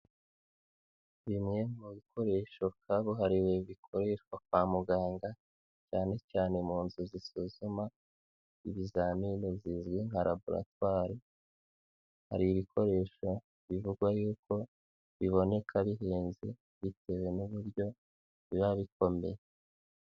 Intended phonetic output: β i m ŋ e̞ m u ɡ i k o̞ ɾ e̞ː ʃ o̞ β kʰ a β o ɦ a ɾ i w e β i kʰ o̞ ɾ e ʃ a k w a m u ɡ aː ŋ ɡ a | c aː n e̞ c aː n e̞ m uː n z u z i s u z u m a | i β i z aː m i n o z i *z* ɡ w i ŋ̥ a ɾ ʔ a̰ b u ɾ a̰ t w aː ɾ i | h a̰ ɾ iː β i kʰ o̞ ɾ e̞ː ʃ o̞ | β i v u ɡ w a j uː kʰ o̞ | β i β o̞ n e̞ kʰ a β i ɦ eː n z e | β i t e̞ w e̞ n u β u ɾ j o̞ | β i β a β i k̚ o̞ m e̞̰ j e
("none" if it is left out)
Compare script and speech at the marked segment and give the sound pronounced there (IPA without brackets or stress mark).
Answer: z